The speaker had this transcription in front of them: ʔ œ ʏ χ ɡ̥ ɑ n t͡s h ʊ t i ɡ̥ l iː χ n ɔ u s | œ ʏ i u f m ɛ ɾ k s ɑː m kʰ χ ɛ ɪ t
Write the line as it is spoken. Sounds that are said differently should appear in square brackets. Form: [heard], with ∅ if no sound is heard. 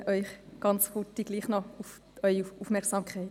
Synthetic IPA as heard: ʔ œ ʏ χ ɡ̥ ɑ n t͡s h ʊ t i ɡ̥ l iː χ n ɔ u [f] | œ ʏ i u f m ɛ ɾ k s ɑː m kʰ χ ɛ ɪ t